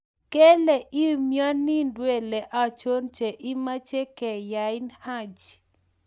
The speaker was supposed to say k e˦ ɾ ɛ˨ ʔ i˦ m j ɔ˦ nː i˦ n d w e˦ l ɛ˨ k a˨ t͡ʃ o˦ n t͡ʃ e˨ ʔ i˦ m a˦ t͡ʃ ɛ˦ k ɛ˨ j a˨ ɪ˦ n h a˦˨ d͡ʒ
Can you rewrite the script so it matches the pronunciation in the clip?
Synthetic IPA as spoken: k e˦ l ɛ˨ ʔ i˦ m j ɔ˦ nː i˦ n d w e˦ l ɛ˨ ʔ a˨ t͡ʃ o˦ n t͡ʃ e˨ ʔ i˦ m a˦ t͡ʃ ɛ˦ k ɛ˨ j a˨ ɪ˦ n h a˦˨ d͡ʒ